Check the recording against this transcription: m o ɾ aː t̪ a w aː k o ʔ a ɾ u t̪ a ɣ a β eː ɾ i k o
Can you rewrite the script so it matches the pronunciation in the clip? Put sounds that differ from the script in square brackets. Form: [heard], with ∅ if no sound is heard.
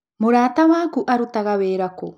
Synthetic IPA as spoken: m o ɾ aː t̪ a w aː k [u] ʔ a ɾ u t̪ a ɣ a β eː ɾ [a] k o